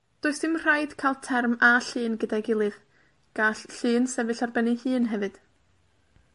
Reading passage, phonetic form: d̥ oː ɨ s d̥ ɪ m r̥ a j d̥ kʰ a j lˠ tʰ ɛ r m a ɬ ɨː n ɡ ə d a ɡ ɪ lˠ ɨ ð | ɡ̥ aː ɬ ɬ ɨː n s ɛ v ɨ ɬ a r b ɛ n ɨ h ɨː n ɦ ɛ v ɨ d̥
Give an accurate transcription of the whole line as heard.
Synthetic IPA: d̥ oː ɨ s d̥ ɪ m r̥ a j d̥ kʰ a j lˠ tʰ ɛ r m a ɬ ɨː n ɡ ə d a ɡ ɪ lˠ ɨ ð | ɡ̥ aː ɬ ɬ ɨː n s ɛ v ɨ ɬ a r b ɛ n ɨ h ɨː n ɦ ɛ v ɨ d̥